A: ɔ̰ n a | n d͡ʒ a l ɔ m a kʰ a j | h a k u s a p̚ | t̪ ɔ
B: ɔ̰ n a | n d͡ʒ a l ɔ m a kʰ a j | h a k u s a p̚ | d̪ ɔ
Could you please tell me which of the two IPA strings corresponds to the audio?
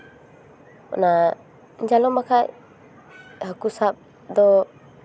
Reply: B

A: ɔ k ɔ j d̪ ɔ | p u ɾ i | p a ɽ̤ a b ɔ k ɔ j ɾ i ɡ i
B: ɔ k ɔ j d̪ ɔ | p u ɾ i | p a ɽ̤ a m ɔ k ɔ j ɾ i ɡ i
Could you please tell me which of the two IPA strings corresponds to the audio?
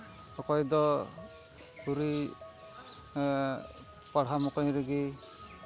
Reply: B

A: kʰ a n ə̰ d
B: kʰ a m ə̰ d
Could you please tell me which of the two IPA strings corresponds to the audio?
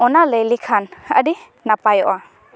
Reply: A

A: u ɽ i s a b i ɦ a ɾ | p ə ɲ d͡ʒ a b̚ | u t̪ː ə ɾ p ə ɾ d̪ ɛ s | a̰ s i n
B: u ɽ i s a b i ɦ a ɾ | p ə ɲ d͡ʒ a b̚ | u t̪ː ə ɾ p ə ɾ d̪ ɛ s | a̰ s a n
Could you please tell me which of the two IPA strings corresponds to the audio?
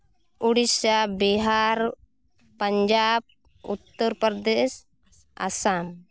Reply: B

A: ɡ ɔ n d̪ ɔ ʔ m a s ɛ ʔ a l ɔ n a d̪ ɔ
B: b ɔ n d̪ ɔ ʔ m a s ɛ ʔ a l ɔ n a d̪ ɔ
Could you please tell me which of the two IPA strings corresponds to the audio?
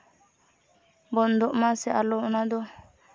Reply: B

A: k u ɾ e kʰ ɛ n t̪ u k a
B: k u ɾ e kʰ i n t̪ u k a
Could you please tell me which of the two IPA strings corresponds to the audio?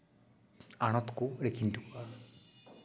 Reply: B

